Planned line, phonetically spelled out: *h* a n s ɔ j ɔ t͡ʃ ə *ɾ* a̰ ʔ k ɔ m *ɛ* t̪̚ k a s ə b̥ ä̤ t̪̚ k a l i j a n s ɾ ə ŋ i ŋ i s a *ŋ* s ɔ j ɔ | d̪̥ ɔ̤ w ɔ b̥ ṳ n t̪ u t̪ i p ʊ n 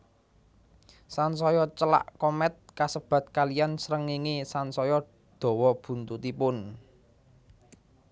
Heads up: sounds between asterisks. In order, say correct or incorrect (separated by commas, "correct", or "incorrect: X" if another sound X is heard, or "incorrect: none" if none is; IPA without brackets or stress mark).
incorrect: s, incorrect: l, correct, incorrect: n